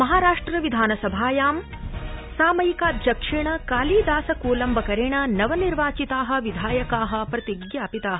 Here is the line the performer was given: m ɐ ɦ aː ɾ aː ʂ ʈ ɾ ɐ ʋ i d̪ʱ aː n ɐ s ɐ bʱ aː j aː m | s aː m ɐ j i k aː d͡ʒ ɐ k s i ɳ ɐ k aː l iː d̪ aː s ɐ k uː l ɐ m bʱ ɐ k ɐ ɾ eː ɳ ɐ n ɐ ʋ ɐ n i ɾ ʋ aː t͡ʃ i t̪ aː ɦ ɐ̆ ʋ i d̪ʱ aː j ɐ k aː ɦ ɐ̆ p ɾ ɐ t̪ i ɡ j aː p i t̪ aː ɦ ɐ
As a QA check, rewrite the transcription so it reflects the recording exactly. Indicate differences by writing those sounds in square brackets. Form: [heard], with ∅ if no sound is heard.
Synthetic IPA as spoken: m ɐ ɦ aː ɾ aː ʂ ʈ ɾ ɐ ʋ i d̪ʱ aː n ɐ s ɐ bʱ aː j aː m | s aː m ɐ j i k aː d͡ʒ ɐ k [ʂ] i ɳ ɐ k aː l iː d̪ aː s ɐ k uː l ɐ m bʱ ɐ k ɐ ɾ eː ɳ ɐ n ɐ ʋ ɐ n i ɾ ʋ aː t͡ʃ i t̪ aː ɦ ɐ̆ ʋ i d̪ʱ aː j ɐ k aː ɦ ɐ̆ p ɾ ɐ t̪ i ɡ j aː p i t̪ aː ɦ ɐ